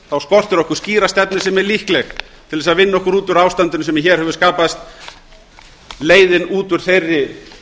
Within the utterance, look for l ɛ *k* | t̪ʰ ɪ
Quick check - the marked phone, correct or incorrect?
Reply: incorrect